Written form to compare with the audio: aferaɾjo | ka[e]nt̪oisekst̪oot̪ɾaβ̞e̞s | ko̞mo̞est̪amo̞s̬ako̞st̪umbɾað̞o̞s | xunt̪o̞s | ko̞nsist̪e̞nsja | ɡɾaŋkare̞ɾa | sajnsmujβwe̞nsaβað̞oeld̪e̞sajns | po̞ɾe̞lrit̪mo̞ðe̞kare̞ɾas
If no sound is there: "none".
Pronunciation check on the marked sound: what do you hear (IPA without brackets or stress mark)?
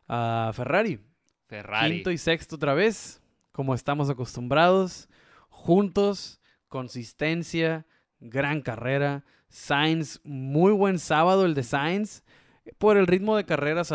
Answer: i